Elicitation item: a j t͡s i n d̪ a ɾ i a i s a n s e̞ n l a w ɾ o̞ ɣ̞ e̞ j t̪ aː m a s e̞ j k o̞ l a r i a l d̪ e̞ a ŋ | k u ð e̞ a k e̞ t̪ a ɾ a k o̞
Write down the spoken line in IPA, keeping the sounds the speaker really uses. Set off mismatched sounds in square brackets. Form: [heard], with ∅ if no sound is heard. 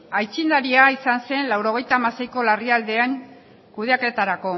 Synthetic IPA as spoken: a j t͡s i n d̪ a ɾ i a i s a n s e̞ n l a w ɾ o̞ ɣ̞ e̞ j t̪ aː m a s e̞ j k o̞ l a r i a l d̪ e̞ a ŋ | k u ð e̞ a k e̞ t̪ a ɾ a k o̞

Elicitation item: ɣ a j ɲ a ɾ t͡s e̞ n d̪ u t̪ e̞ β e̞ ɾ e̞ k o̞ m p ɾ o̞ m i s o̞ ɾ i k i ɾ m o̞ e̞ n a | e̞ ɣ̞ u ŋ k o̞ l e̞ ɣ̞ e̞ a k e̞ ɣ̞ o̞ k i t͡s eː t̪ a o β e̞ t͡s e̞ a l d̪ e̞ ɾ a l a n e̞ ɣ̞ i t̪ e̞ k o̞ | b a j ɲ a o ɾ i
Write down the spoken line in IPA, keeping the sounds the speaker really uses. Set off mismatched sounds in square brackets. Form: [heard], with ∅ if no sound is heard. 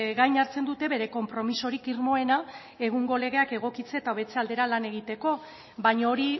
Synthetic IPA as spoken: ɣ a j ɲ a ɾ t͡s e̞ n d̪ u t̪ e̞ β e̞ ɾ e̞ k o̞ m p ɾ o̞ m i s o̞ ɾ i k i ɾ m o̞ e̞ n a | e̞ ɣ̞ u ŋ [ɡ] o̞ l e̞ ɣ̞ e̞ a k e̞ ɣ̞ o̞ k i t͡s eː t̪ a o β e̞ t͡s e̞ a l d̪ e̞ ɾ a l a n e̞ ɣ̞ i t̪ e̞ k o̞ | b a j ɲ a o ɾ i

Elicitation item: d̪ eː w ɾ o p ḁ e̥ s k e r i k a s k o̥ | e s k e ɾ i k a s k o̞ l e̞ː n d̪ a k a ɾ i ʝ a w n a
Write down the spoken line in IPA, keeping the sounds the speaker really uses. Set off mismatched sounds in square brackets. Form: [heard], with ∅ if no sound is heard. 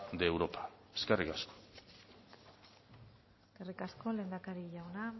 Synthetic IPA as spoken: d̪ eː w ɾ o p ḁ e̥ s k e r i k a s k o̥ | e s k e [r] i k a s k o̞ l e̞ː n d̪ a k a ɾ i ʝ a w n a

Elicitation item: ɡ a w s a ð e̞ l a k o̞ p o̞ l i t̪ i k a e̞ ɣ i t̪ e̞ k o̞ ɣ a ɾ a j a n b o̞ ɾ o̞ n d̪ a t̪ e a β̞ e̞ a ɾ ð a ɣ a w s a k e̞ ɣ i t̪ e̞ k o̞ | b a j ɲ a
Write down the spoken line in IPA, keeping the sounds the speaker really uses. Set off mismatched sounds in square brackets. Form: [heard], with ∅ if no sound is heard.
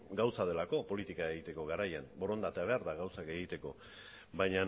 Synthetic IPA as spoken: ɡ a w s a ð e̞ l a k o̞ p o̞ l i t̪ i k a e̞ ɣ i t̪ e̞ k o̞ ɣ a ɾ a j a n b o̞ ɾ o̞ n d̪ a t̪ e a β̞ e̞ a ɾ ð a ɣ a w s a k e̞ ɣ i t̪ e̞ k o̞ | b a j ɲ a

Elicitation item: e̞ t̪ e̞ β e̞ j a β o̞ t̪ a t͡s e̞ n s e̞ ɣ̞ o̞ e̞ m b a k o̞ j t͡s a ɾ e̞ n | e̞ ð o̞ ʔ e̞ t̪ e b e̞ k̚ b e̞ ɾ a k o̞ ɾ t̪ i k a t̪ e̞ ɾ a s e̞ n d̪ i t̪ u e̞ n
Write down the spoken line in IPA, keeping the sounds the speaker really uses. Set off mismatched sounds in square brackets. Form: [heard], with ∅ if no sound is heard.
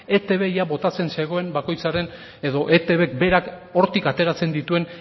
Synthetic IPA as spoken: e̞ t̪ e̞ β e̞ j a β o̞ t̪ a t͡s e̞ n s e̞ ɣ̞ o̞ e̞ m b a k o̞ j t͡s a ɾ e̞ n | e̞ ð o̞ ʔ e̞ t̪ e [β] e̞ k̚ b e̞ ɾ a k o̞ ɾ t̪ i k a t̪ e̞ ɾ a [t͡s] e̞ n d̪ i t̪ u e̞ n

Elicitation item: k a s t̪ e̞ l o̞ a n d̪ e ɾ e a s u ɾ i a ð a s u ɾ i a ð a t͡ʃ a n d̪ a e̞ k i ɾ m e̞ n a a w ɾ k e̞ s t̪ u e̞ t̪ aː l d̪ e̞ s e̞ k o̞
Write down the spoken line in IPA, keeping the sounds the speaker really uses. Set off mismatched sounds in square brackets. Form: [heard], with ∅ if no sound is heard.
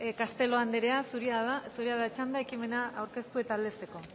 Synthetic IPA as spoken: k a s t̪ e̞ l o̞ a n d̪ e ɾ e a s u ɾ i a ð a s u ɾ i a ð a t͡ʃ a n d̪ a e̞ k i [∅] m e̞ n a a w ɾ k e̞ s t̪ u e̞ t̪ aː l d̪ e̞ s e̞ k o̞

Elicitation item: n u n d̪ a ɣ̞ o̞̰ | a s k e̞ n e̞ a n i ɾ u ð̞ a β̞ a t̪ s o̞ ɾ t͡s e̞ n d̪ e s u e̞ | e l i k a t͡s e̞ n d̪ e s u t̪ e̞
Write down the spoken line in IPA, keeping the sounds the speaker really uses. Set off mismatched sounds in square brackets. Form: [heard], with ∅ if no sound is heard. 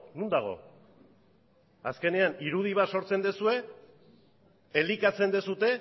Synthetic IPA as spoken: n u n d̪ a ɣ̞ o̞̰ | a s k e̞ n e̞ a n i ɾ u ð̞ [i] β̞ a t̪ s o̞ ɾ t͡s e̞ n d̪ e s u e̞ | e l i k a t͡s e̞ n d̪ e s u t̪ e̞

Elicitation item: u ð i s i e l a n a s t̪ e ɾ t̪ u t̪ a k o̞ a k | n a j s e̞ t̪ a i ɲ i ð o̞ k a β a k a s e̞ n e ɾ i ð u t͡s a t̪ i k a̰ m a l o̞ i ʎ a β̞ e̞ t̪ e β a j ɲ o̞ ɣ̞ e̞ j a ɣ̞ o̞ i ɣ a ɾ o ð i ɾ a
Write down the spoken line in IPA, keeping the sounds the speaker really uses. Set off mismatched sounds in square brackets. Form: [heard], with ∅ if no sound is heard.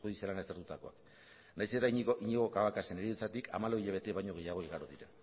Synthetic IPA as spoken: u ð i s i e l a n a s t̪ e ɾ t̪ u t̪ a k o̞ a k | n a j s e̞ t̪ a i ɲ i [ɣ] o̞ k a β a k a s e̞ n e ɾ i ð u t͡s a t̪ i k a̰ m a l o̞ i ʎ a β̞ e̞ t̪ e β a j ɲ o̞ ɣ̞ e̞ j a ɣ̞ o̞ i ɣ a ɾ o ð i ɾ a

